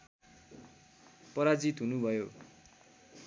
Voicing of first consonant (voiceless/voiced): voiceless